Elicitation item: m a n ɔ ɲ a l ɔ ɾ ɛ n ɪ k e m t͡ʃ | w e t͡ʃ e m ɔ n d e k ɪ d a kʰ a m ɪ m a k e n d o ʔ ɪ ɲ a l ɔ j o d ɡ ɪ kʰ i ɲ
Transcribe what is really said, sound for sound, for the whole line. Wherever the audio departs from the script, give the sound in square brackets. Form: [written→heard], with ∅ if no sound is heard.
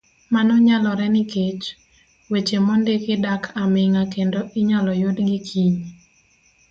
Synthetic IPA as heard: m a n ɔ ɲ a l ɔ ɾ ɛ n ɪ k e [m→∅] t͡ʃ | w e t͡ʃ e m ɔ n d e k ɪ d a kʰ a m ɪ [m→ŋ] a k e n d o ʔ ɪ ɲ a l ɔ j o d ɡ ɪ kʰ i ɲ